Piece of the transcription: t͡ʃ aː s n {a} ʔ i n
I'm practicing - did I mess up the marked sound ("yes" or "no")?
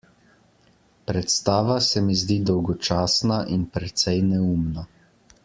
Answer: no